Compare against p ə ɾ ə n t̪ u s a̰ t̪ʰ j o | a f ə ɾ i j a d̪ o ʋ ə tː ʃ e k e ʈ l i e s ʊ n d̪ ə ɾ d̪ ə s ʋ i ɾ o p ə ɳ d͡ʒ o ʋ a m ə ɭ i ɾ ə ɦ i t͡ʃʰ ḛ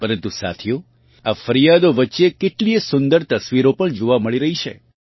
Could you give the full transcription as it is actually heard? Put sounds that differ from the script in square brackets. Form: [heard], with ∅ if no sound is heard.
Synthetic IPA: p ə ɾ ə n t̪ u s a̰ t̪ʰ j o | a f ə ɾ i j a d̪ o ʋ ə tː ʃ e k e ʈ l i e s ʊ n d̪ ə ɾ [t̪] ə s ʋ i ɾ o p ə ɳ d͡ʒ o ʋ a m ə ɭ i ɾ ə ɦ i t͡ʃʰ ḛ